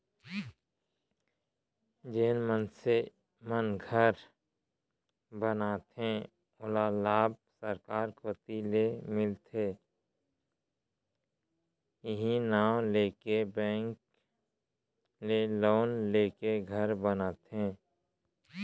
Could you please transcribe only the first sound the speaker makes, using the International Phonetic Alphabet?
d͡ʒ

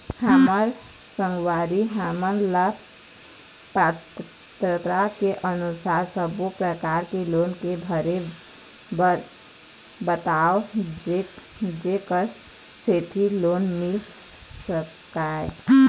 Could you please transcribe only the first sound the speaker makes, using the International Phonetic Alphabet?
h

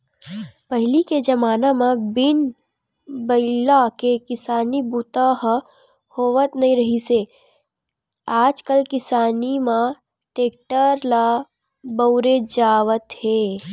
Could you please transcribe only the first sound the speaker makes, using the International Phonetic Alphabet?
p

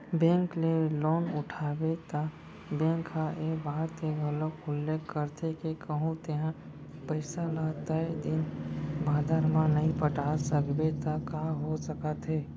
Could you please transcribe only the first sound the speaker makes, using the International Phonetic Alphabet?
b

